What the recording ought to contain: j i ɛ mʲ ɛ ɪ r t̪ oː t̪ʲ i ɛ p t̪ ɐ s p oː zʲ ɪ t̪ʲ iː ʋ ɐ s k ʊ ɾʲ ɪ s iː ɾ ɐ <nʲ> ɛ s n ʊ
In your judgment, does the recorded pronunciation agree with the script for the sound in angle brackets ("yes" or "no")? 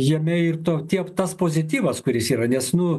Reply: yes